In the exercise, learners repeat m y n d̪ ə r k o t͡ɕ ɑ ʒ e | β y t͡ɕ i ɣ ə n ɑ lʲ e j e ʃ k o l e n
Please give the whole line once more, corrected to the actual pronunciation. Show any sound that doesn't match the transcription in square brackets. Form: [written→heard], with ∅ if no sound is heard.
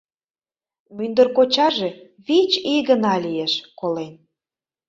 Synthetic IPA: m y n d̪ ə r k o t͡ɕ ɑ ʒ e | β [y→i] t͡ɕ i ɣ ə n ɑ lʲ [e→i] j e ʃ k o l e n